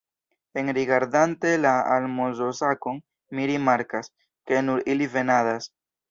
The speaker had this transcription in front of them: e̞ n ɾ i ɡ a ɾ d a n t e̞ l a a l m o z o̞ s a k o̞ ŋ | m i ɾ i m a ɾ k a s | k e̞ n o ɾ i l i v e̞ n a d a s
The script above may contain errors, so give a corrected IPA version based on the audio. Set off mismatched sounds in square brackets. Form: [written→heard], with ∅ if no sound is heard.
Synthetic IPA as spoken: e̞ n ɾ i ɡ a ɾ d a n t e̞ l a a l m o z o̞ s a k o̞ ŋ | m i ɾ i m a ɾ k a s | k e̞ n [o→u] ɾ i l i v e̞ n a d a s